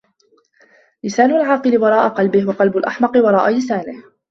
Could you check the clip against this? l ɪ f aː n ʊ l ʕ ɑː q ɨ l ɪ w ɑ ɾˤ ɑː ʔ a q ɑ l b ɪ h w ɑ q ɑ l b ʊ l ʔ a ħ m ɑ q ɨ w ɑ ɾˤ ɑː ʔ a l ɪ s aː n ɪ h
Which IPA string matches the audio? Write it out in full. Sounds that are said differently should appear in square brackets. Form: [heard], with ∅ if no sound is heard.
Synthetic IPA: l ɪ [s] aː n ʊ l ʕ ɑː q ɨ l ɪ w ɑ ɾˤ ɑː ʔ a q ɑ l b ɪ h w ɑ q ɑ l b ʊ l ʔ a ħ m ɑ q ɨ w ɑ ɾˤ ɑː ʔ a l ɪ s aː n ɪ h